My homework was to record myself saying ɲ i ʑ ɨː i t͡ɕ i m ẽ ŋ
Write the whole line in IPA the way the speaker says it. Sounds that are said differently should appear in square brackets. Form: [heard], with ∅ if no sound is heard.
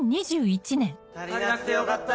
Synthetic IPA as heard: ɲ i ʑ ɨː i t͡ɕ i [n] ẽ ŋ